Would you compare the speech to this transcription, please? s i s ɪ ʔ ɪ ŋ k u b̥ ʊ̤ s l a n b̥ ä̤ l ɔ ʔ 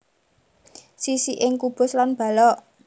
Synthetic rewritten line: s i s i ʔ ɪ ŋ k u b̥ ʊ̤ s l a n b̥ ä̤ l ɔ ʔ